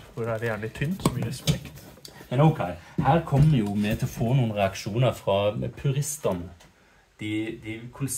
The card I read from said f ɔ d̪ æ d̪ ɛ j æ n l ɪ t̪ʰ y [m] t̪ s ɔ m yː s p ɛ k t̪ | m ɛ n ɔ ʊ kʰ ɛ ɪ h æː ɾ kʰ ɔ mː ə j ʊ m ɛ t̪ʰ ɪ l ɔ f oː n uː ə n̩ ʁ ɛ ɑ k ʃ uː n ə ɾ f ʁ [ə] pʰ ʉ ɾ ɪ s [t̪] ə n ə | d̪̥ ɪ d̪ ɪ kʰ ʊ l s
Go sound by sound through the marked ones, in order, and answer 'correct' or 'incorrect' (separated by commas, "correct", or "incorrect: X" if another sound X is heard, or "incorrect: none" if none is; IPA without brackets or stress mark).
incorrect: n, incorrect: ɑ, correct